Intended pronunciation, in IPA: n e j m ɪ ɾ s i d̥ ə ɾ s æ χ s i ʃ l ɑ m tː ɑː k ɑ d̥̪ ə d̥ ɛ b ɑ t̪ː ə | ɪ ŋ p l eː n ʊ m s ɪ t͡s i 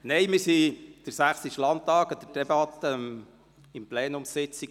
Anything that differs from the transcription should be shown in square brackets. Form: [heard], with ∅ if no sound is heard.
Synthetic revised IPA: n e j m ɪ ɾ s i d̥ ə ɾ s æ χ s i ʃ l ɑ [n] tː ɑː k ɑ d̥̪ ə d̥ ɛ b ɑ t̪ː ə | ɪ [m] p l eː n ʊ m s ɪ t͡s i